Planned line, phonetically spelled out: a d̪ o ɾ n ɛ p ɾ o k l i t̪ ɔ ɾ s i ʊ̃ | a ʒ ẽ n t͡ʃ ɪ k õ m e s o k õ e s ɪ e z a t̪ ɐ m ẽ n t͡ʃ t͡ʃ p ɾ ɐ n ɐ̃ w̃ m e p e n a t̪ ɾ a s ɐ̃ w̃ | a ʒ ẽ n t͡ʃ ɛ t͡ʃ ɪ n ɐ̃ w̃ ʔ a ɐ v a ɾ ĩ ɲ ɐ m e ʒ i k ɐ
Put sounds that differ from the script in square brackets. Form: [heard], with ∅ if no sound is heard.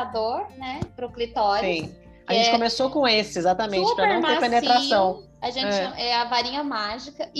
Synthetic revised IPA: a d̪ o ɾ n ɛ p ɾ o k l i t̪ ɔ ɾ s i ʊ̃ | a ʒ ẽ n t͡ʃ ɪ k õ m e s o k õ e s ɪ e z a t̪ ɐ m ẽ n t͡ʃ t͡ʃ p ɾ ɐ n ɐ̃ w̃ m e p e n [e] t̪ ɾ a s ɐ̃ w̃ | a ʒ ẽ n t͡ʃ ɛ t͡ʃ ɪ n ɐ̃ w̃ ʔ [ɛ] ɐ v a ɾ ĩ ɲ ɐ m [a] ʒ i k ɐ